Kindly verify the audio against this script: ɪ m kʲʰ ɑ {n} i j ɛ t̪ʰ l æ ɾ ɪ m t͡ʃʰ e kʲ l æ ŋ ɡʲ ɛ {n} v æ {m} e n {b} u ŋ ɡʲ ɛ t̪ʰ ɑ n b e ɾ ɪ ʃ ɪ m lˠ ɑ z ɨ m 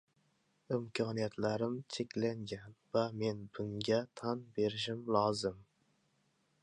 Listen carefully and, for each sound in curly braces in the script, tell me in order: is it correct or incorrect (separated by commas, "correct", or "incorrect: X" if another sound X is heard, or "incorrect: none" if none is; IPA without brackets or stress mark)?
correct, correct, correct, correct